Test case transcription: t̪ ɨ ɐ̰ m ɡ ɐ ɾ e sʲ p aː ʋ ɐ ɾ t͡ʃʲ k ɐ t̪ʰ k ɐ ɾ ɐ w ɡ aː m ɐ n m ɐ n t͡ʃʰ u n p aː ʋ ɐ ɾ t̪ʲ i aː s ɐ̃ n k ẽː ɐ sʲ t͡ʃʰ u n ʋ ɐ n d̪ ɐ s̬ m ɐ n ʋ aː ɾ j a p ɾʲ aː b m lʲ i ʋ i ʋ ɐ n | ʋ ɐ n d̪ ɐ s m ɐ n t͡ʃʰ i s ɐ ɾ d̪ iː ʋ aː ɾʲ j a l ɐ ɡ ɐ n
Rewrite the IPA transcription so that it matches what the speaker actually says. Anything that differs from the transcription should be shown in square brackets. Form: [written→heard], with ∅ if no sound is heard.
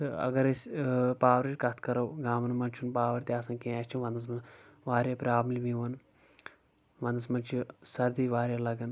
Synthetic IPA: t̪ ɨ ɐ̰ [m→∅] ɡ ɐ ɾ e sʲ p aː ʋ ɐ ɾ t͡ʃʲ k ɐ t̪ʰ k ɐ ɾ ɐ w ɡ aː m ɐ n m ɐ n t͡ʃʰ u n p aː ʋ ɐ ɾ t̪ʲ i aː s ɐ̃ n k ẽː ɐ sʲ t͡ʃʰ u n ʋ ɐ n d̪ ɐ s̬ m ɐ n ʋ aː ɾ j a p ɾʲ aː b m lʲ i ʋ i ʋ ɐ n | ʋ ɐ n d̪ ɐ s m ɐ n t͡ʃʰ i s ɐ ɾ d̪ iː ʋ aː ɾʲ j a l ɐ ɡ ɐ n